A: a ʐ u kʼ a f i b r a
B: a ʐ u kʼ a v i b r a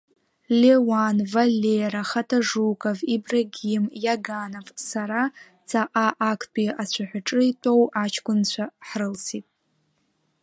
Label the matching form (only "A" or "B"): B